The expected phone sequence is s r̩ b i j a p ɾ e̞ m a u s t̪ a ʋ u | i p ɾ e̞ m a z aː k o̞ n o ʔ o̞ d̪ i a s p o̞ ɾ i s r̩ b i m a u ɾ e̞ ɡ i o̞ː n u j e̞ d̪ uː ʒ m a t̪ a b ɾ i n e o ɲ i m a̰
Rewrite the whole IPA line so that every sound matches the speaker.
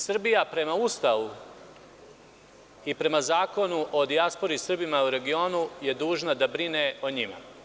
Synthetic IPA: s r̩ b i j a p ɾ e̞ m a u s t̪ a ʋ u | i p ɾ e̞ m a z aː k o̞ n u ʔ o̞ d̪ i a s p o̞ ɾ i s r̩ b i m a u ɾ e̞ ɡ i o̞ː n u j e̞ d̪ uː ʒ n a d̪ a b ɾ i n e o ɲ i m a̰